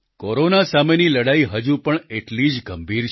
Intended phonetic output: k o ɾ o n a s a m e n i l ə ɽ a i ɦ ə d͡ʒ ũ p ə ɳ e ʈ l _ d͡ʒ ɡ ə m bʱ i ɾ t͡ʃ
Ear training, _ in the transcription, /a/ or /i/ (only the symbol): i